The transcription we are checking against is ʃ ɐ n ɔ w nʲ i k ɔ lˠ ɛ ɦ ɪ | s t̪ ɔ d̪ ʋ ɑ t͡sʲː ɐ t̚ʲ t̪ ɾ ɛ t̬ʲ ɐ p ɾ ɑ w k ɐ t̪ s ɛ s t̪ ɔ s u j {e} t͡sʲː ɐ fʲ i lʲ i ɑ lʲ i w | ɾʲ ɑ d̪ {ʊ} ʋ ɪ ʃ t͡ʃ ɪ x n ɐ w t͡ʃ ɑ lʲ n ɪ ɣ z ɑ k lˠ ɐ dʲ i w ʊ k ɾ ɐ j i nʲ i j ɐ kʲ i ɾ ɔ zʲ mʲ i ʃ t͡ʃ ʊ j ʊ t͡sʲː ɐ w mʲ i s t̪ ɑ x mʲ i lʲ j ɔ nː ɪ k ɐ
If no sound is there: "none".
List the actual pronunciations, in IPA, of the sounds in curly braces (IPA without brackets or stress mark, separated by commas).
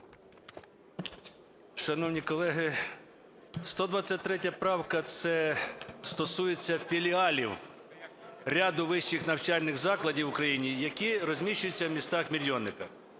e, ʊ